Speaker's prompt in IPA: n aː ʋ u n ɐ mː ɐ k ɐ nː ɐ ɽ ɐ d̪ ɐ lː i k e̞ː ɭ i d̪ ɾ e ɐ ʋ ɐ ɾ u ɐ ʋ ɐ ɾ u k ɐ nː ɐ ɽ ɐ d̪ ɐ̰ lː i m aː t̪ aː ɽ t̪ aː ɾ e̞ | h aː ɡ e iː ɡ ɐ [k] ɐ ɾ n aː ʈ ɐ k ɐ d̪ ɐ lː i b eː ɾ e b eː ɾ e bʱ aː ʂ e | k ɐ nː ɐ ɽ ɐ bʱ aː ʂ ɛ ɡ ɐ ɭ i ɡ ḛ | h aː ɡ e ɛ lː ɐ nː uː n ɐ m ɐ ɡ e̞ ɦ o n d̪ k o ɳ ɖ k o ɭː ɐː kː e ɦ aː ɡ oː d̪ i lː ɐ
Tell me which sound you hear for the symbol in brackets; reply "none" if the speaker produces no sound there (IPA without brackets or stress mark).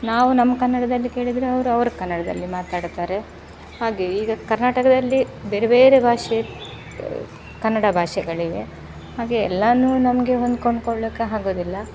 k